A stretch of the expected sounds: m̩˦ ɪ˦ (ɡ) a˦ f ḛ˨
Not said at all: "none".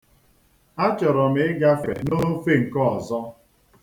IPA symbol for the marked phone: ɡ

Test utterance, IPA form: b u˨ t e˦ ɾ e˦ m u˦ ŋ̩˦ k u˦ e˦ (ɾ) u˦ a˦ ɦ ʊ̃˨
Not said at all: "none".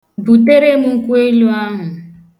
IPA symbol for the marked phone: l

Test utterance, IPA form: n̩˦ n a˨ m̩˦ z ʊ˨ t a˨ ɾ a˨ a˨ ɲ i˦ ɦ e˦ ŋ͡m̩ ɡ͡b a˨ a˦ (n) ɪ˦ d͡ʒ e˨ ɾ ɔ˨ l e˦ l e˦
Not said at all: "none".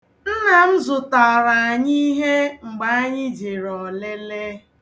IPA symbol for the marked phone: ɲ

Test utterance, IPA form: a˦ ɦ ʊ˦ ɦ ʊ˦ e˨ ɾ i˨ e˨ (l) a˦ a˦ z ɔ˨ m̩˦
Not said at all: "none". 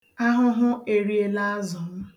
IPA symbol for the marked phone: l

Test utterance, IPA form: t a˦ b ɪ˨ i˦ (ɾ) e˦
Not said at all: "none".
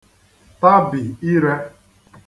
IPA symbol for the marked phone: ɾ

